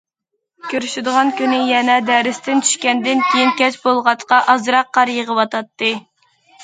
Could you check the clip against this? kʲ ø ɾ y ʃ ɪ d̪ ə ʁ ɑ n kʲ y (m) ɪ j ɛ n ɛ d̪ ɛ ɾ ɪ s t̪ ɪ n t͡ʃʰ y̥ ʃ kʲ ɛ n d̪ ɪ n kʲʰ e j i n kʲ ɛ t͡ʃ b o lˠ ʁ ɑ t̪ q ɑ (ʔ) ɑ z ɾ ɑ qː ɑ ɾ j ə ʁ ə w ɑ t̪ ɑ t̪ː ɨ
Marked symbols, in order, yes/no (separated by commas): no, yes